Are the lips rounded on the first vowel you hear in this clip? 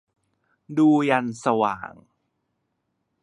yes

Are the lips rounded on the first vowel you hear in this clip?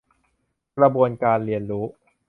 no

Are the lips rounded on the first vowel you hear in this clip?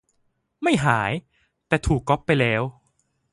no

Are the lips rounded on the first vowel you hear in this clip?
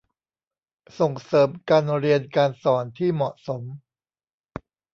yes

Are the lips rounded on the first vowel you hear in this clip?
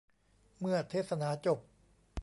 no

